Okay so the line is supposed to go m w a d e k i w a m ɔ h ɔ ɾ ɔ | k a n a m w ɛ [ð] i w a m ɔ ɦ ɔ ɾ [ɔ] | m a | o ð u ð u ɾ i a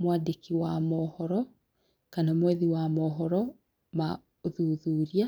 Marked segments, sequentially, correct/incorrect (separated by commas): correct, correct